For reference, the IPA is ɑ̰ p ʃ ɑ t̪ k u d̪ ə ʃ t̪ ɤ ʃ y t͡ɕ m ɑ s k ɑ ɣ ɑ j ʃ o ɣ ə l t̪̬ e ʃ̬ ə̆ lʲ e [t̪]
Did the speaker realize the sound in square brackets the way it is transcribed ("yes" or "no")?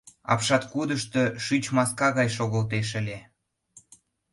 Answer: no